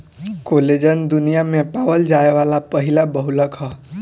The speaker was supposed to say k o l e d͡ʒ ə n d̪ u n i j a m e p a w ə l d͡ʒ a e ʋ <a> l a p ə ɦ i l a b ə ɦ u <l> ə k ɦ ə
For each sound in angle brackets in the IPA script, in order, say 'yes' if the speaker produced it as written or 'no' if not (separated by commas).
yes, yes